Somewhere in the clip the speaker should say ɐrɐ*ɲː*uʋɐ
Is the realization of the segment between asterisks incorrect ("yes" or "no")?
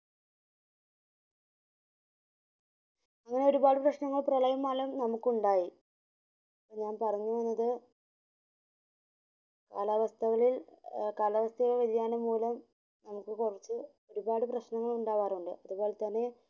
no